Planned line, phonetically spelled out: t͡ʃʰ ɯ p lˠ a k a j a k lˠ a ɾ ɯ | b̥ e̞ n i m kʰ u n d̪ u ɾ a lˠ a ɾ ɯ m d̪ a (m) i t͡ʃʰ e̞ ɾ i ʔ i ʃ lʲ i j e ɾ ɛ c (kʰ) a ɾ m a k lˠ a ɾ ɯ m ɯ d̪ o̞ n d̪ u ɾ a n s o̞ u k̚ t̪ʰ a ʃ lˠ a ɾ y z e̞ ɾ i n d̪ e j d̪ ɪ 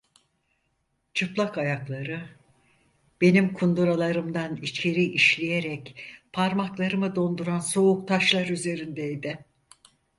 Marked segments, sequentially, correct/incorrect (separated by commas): incorrect, incorrect